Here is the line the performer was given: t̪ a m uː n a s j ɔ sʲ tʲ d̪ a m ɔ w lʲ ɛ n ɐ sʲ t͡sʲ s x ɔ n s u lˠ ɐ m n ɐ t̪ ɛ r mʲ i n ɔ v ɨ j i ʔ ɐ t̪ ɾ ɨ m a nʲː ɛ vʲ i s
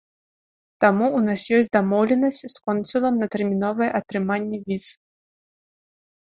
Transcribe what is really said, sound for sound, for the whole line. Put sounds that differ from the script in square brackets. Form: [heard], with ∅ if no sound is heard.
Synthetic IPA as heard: t̪ a m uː n a s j ɔ sʲ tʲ d̪ a m ɔ w lʲ ɛ n ɐ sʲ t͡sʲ s [k] ɔ n s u lˠ ɐ m n ɐ t̪ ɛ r mʲ i n ɔ v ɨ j [ɛ] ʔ ɐ t̪ ɾ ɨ m a nʲː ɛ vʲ i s